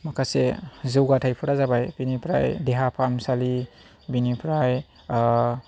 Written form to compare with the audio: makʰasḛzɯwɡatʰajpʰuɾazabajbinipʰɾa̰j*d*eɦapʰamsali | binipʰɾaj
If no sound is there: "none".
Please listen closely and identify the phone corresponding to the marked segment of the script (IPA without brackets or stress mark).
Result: d